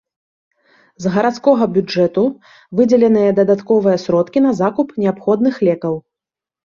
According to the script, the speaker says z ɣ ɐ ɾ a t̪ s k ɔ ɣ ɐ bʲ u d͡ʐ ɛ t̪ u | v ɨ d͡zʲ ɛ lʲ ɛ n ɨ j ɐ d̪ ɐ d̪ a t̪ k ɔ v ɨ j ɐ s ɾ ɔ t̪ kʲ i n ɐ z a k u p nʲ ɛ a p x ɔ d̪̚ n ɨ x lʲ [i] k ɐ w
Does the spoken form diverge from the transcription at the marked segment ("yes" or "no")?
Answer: yes